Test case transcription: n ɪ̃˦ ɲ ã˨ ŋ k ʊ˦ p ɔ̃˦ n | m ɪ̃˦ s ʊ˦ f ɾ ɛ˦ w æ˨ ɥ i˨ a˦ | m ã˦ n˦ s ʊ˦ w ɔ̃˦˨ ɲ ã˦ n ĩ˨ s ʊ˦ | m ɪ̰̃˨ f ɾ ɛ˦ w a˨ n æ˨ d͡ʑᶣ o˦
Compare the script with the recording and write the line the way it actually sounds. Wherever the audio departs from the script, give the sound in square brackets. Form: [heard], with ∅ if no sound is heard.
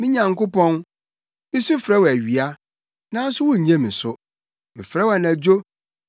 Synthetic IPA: [m] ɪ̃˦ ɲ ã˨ ŋ k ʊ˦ p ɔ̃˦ n | m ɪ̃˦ s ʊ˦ f ɾ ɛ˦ w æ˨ ɥ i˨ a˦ | [n] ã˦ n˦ s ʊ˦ w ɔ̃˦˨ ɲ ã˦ [m] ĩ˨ s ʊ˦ | m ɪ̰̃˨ f ɾ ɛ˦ w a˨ n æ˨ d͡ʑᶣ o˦